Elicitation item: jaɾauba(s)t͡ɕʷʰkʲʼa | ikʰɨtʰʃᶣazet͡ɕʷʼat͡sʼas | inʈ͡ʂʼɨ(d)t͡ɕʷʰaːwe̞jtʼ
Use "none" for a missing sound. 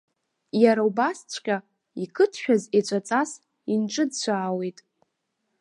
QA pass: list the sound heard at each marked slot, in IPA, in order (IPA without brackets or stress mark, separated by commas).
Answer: s, d